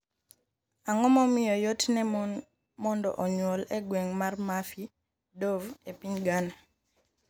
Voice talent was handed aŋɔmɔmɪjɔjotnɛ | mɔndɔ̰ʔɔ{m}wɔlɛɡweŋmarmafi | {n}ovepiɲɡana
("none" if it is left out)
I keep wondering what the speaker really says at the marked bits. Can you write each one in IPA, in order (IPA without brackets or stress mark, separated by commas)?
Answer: ɲ, d